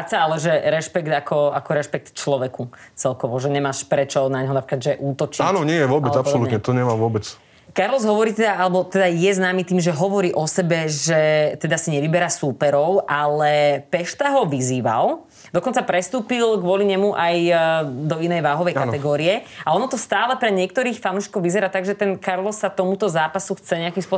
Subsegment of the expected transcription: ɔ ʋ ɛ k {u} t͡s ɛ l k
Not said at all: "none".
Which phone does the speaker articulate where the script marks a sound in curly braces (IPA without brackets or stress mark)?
u